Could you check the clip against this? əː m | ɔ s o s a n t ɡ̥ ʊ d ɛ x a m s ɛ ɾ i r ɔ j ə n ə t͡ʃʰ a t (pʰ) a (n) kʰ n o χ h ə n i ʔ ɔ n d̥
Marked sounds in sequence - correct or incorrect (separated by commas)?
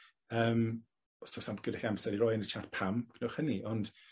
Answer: correct, incorrect